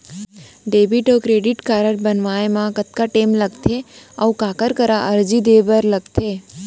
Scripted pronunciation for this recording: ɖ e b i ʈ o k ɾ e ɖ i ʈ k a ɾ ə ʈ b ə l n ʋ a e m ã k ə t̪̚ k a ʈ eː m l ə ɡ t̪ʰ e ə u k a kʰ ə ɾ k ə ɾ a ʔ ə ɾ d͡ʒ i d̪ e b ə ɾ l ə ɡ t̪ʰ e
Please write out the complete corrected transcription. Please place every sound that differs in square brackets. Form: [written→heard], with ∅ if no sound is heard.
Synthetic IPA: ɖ e b i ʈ o k ɾ e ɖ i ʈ k a ɾ ə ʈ b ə [l→∅] n ʋ a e m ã k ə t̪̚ k a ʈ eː m l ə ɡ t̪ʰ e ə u k a [kʰ→k] ə ɾ k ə ɾ a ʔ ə ɾ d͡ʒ i d̪ e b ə ɾ l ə ɡ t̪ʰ e